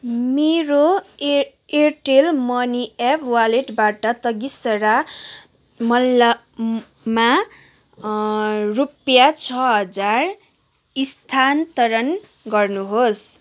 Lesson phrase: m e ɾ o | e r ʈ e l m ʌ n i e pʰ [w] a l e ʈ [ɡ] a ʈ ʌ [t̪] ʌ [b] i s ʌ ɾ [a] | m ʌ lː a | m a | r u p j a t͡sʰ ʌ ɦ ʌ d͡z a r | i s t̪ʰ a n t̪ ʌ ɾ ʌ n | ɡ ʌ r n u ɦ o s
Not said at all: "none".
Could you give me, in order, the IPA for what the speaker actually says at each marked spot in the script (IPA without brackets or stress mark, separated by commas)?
w, b, t̪, ɡ, a